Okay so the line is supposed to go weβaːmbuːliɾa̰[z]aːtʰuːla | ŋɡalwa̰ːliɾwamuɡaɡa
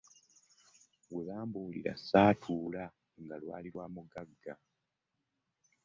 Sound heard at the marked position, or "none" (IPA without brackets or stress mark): s